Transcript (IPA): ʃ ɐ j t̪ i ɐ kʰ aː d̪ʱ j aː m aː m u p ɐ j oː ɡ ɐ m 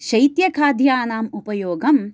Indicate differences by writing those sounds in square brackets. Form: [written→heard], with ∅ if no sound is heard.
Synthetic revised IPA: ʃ ɐ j t̪ [i→j] ɐ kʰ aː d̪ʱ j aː [m→n] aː m u p ɐ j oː ɡ ɐ m

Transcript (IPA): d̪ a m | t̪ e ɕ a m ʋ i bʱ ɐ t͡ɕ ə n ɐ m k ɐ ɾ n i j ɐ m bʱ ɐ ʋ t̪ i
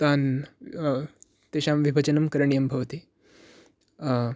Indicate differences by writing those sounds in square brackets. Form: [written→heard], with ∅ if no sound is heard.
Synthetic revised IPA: [d̪→t̪] a [m→n] | t̪ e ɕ a m ʋ i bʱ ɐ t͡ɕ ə n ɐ m k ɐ ɾ [n→ɳ] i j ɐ m bʱ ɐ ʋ t̪ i

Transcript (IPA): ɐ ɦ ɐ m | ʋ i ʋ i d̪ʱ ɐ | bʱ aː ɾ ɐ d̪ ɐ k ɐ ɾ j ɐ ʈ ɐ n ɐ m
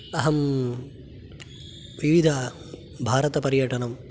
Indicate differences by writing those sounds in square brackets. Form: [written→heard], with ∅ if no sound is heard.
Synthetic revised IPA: ɐ ɦ ɐ m | ʋ i ʋ i d̪ʱ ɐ | bʱ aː ɾ ɐ [d̪→t̪] ɐ [k→p] ɐ ɾ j ɐ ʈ ɐ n ɐ m

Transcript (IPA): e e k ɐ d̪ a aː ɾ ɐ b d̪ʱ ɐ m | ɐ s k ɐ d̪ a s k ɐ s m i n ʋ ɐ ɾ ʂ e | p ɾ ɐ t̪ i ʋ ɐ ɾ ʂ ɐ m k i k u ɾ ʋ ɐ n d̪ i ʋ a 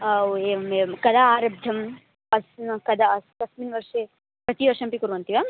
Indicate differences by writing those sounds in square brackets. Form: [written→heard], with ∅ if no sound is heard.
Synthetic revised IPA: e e k ɐ d̪ a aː ɾ ɐ b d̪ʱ ɐ m | ɐ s k ɐ d̪ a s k ɐ s m i n ʋ ɐ ɾ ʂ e | p ɾ ɐ t̪ i ʋ ɐ ɾ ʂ ɐ m [k→p] i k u ɾ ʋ ɐ n [d̪→t̪] i ʋ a

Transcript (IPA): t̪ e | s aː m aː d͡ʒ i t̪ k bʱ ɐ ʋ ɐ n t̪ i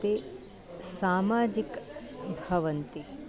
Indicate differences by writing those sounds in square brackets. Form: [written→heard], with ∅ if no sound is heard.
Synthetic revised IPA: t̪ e | s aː m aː d͡ʒ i [t̪→∅] k bʱ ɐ ʋ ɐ n t̪ i

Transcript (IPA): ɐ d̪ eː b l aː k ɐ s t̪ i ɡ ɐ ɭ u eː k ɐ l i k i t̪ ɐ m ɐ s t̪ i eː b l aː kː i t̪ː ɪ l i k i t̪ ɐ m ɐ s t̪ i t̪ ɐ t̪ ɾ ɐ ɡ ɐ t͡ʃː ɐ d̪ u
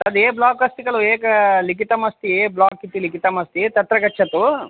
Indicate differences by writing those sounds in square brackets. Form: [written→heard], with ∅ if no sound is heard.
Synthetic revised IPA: ɐ d̪ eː b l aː k ɐ s t̪ i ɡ ɐ ɭ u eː k ɐ l i k i t̪ ɐ m ɐ s t̪ i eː b l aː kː i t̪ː [ɪ→i] l i k i t̪ ɐ m ɐ s t̪ i t̪ ɐ t̪ ɾ ɐ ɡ ɐ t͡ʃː ɐ [d̪→t̪] u

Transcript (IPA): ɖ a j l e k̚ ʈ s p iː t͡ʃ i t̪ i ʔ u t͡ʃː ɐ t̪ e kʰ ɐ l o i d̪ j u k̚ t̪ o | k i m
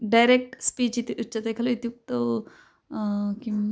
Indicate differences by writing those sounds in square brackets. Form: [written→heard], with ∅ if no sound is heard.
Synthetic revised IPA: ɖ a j [l→ɾ] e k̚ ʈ s p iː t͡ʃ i t̪ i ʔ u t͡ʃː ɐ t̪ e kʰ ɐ l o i [d̪→t̪] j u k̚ t̪ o | k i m

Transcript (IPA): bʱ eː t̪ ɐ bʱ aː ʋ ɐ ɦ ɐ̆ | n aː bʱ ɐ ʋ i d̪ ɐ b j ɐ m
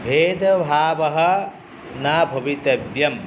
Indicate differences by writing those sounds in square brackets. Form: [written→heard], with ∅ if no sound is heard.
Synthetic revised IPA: bʱ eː [t̪→d̪] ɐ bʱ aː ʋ ɐ ɦ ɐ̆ | n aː bʱ ɐ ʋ i [d̪→t̪] ɐ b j ɐ m

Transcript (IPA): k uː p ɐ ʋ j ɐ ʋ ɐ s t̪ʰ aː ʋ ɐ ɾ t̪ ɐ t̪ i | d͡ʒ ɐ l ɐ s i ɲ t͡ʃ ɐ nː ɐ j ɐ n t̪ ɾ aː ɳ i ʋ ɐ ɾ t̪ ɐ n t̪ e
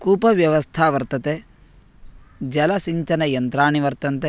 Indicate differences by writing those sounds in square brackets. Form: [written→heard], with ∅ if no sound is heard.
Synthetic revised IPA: k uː p ɐ ʋ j ɐ ʋ ɐ s t̪ʰ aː ʋ ɐ ɾ t̪ ɐ t̪ [i→e] | d͡ʒ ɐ l ɐ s i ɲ t͡ʃ ɐ [nː→n] ɐ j ɐ n t̪ ɾ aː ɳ i ʋ ɐ ɾ t̪ ɐ n t̪ e

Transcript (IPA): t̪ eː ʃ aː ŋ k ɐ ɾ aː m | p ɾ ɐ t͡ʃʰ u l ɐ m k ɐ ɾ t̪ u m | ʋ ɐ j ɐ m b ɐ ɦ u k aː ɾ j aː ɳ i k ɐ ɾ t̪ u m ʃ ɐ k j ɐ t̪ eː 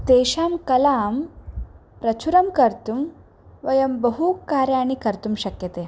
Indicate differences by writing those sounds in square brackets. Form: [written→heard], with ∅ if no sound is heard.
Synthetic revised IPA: t̪ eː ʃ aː [ŋ→m] k ɐ [ɾ→l] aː m | p ɾ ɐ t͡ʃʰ u [l→ɾ] ɐ m k ɐ ɾ t̪ u m | ʋ ɐ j ɐ m b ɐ ɦ u k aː ɾ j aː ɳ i k ɐ ɾ t̪ u m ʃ ɐ k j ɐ t̪ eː

